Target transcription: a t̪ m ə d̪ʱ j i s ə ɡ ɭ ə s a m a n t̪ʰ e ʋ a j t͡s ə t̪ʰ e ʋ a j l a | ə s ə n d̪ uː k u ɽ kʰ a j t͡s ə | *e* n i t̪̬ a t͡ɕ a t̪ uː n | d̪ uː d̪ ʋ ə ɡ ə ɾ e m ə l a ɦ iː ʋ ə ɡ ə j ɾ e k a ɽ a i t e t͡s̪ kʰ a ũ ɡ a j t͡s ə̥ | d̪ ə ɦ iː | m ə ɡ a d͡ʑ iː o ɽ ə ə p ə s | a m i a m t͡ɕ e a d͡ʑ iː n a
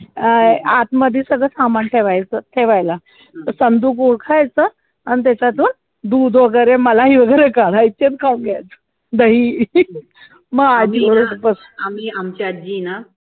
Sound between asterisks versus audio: incorrect: a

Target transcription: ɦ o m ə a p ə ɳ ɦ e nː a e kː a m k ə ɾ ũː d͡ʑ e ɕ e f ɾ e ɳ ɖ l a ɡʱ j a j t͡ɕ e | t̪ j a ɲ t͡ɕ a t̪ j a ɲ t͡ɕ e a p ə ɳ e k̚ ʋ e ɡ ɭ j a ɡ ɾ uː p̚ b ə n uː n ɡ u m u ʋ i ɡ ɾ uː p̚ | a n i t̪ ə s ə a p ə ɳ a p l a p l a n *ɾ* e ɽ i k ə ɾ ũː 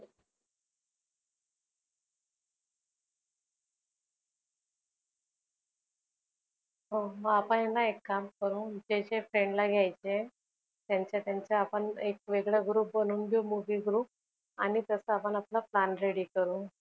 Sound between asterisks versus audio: correct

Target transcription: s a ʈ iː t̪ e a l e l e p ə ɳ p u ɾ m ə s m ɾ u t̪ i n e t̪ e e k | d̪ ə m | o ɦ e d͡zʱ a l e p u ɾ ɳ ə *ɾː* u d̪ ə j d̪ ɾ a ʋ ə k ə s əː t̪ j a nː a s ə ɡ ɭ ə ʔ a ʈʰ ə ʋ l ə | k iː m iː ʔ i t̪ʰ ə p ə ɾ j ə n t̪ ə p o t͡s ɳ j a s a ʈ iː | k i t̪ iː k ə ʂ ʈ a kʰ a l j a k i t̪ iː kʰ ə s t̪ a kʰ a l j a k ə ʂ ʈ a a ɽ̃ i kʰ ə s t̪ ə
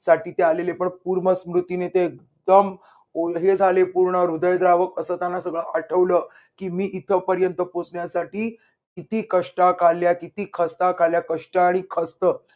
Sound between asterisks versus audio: incorrect: ɾ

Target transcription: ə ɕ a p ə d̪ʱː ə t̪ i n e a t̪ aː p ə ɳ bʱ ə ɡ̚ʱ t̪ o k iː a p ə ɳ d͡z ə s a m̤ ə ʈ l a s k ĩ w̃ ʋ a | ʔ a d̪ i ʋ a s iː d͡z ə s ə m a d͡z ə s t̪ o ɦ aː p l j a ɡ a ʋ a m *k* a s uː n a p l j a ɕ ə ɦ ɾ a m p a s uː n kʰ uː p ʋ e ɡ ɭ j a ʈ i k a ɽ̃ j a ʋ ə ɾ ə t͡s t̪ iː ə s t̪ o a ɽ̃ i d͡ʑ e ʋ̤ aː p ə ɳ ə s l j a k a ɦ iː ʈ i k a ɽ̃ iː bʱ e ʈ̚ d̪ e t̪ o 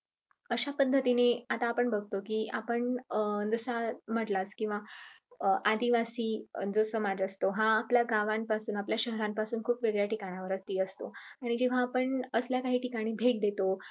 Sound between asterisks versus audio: incorrect: p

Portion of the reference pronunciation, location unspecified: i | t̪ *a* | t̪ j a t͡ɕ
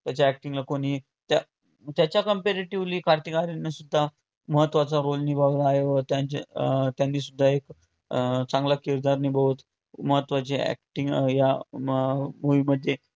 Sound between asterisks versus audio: correct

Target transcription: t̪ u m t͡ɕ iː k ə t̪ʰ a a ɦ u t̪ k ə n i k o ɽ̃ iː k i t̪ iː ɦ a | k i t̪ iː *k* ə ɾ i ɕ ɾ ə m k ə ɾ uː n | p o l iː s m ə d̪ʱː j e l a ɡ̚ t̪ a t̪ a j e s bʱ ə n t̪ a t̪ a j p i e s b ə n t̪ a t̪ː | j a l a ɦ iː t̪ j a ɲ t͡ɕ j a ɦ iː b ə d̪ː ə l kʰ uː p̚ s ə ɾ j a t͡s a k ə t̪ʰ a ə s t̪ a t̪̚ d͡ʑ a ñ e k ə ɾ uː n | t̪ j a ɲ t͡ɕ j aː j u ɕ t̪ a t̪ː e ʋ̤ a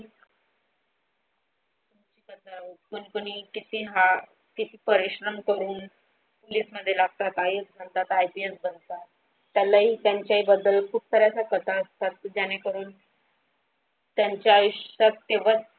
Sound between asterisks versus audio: incorrect: p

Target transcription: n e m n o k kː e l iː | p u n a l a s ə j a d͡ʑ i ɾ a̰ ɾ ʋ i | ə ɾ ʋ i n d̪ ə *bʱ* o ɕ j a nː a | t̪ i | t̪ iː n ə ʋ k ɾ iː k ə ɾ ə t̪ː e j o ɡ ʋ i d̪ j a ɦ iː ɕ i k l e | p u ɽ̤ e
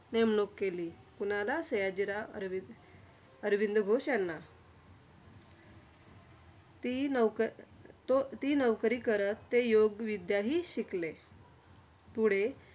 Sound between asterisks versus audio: incorrect: ɡʱ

